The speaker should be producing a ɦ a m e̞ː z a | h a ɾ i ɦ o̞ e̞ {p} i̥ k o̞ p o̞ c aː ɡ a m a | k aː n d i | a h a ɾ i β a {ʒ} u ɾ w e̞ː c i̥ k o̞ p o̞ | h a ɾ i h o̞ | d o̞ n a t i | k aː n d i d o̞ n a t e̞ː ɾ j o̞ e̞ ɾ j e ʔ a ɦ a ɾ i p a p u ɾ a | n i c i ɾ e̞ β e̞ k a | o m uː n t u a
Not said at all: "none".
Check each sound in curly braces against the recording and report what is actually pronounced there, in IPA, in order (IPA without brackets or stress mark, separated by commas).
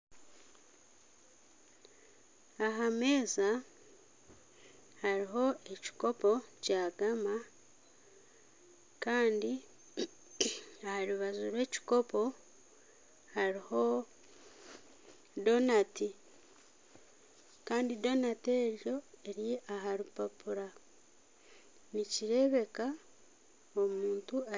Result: c, z